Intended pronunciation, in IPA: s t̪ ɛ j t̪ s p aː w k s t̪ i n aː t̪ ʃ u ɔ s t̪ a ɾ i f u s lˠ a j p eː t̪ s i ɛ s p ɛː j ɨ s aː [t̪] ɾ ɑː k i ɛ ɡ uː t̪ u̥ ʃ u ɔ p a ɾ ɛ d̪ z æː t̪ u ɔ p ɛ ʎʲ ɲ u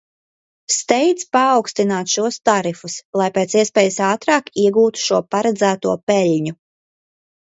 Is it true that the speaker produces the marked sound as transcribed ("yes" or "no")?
yes